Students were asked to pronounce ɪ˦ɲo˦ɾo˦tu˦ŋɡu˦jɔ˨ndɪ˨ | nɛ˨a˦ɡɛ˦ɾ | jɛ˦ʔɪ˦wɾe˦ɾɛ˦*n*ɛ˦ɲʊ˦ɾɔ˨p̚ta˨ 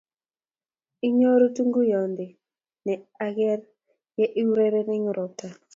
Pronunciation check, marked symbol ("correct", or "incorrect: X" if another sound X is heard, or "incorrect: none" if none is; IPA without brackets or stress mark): correct